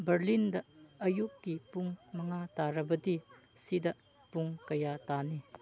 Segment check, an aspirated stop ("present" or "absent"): absent